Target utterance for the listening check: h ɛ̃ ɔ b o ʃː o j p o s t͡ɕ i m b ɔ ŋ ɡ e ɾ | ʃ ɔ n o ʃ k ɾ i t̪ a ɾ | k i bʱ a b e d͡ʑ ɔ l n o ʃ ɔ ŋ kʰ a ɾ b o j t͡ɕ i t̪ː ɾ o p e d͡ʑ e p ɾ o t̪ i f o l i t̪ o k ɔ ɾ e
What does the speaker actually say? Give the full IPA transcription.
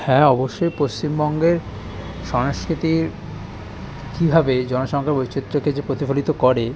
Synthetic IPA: h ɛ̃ ɔ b o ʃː o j p o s t͡ɕ i m b ɔ ŋ ɡ e ɾ | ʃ ɔ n o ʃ k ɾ i t̪ i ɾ | k i bʱ a b e d͡ʑ ɔ n o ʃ ɔ ŋ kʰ a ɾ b o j t͡ɕ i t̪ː ɾ o k e d͡ʑ e p ɾ o t̪ i f o l i t̪ o k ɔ ɾ e